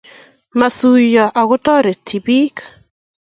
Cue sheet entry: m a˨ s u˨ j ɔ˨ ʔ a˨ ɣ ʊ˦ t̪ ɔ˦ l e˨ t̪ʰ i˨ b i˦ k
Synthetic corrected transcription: m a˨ s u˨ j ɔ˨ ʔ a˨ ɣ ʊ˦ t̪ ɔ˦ ɾ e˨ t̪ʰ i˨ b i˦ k

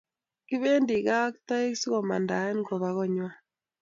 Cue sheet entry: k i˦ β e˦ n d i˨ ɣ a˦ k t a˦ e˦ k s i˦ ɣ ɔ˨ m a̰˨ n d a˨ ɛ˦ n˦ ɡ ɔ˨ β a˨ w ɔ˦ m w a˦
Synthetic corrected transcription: k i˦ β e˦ n d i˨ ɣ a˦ k t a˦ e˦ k s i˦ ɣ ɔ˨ m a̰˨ n d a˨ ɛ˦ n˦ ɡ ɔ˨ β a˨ ɣ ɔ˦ ɲ w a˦

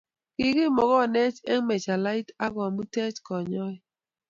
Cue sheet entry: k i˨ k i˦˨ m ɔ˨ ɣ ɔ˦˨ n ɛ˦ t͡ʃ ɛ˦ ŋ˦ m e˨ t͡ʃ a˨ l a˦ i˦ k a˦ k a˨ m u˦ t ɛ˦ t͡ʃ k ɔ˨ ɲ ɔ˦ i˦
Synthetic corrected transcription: k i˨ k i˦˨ m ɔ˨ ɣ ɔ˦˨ n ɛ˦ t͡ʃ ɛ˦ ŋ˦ m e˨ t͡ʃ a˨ l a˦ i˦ t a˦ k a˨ m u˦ t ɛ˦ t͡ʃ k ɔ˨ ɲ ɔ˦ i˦

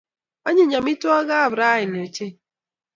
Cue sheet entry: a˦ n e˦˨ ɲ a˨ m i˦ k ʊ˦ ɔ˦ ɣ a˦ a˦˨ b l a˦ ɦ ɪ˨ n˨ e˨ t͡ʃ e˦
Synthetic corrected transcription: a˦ ɲ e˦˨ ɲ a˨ m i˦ t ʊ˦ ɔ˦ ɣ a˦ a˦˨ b ɾ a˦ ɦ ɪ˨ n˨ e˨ t͡ʃ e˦

